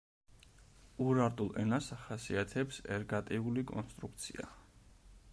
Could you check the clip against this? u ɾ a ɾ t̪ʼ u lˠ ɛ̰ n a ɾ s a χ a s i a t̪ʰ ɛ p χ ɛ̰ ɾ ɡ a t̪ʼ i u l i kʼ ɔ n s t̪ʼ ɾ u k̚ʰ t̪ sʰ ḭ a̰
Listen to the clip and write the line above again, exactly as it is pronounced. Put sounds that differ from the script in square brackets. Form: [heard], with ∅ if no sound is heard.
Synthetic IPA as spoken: u ɾ a ɾ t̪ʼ u lˠ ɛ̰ n a [∅] s a χ a s i a t̪ʰ ɛ p [s] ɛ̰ ɾ ɡ a t̪ʼ i u l i kʼ ɔ n s t̪ʼ ɾ u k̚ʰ t̪ sʰ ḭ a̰